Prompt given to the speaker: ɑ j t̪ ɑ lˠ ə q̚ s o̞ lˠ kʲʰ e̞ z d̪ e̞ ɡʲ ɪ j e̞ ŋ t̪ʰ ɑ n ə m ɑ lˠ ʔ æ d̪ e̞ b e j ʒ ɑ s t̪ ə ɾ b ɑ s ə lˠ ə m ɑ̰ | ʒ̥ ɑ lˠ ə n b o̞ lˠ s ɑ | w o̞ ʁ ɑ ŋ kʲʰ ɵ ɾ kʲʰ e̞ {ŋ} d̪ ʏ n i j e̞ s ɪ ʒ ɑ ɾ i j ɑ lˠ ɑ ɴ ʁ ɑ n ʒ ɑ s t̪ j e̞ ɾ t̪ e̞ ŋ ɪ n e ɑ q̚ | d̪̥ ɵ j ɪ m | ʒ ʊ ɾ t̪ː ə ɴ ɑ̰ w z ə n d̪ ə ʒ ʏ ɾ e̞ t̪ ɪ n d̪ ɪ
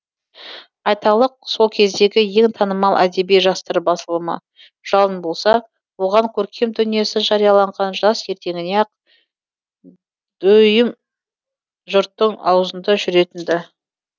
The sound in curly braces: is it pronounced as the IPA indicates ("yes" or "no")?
no